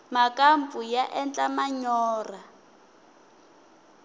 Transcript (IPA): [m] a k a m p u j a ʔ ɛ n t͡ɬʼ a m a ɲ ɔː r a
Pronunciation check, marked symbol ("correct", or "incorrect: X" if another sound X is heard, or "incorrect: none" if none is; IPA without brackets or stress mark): correct